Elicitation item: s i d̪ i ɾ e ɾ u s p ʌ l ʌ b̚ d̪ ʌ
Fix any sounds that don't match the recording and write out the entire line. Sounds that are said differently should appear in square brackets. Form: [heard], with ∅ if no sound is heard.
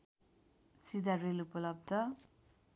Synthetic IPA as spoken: s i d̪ [a] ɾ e [l] u [∅] p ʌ l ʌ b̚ d̪ ʌ